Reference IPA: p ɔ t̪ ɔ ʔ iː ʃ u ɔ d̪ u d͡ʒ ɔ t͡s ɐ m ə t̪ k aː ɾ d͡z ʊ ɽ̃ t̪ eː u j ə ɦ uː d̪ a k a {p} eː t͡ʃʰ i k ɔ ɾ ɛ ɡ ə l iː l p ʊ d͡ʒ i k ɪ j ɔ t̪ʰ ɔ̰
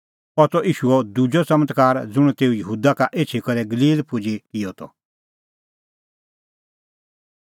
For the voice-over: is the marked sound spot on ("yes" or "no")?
no